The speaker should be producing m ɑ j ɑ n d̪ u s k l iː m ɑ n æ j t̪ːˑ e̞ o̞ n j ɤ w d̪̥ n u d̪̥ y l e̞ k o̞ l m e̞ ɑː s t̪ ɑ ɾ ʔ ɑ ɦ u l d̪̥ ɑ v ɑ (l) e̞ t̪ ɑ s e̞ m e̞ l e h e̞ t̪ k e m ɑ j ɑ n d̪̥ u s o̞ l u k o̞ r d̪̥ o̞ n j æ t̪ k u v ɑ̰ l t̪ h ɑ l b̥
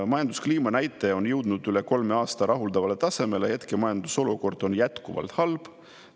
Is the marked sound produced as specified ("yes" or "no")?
yes